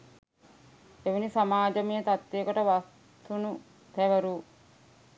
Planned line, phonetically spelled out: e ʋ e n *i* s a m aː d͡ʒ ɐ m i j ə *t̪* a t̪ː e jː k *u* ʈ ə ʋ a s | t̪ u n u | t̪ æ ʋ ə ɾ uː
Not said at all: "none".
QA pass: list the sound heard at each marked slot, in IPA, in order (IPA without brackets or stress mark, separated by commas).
i, t̪, o